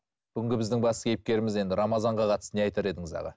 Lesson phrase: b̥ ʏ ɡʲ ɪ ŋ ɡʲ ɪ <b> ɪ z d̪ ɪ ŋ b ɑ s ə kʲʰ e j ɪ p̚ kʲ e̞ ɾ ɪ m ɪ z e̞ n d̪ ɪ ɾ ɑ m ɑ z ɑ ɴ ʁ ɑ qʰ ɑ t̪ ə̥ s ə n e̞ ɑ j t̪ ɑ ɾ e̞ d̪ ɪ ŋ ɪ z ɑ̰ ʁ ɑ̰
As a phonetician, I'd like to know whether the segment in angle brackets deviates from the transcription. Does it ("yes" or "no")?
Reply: no